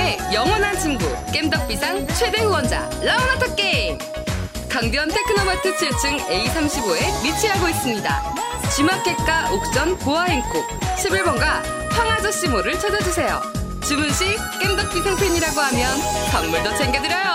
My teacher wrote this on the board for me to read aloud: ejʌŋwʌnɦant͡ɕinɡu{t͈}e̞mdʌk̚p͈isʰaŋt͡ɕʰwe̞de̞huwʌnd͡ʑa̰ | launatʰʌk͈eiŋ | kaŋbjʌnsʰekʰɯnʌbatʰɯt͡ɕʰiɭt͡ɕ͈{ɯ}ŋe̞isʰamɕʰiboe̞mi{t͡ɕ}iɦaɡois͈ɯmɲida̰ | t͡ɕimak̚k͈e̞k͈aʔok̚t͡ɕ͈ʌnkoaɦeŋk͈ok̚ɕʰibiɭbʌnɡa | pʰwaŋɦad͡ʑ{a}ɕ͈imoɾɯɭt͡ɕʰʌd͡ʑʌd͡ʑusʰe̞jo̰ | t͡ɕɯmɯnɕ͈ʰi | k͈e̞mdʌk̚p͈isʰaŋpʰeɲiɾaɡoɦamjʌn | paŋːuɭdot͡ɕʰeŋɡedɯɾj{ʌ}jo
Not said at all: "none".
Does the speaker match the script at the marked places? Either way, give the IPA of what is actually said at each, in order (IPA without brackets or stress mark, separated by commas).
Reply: k͈, ɯ, t͡ɕʰ, ʌ, ʌ